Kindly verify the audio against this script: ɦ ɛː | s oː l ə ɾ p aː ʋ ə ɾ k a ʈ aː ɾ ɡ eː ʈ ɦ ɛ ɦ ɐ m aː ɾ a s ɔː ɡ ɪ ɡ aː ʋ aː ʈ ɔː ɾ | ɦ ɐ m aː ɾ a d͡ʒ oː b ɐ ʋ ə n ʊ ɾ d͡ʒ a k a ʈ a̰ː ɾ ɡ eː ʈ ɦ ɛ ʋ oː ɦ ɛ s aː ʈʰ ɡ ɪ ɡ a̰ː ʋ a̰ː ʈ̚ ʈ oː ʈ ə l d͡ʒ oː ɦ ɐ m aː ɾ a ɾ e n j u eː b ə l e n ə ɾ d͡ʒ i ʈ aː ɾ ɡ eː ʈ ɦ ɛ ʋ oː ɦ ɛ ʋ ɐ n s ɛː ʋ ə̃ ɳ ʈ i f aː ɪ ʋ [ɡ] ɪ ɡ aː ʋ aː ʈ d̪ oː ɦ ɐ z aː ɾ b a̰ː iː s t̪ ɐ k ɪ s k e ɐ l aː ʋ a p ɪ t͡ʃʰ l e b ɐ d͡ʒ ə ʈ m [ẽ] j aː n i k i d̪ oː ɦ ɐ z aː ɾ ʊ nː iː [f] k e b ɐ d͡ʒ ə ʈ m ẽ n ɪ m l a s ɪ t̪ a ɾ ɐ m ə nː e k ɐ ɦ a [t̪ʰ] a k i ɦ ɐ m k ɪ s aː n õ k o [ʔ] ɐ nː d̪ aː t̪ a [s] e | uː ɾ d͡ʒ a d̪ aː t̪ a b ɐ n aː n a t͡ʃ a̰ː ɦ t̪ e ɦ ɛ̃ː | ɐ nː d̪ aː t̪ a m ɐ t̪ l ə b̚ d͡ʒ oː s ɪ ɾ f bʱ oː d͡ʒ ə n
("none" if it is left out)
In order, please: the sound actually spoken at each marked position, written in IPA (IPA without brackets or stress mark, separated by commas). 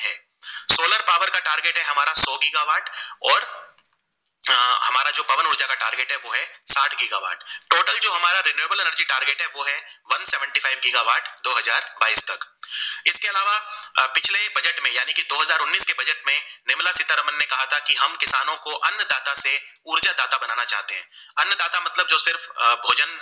ɡ, ẽ, s, t̪ʰ, ʔ, s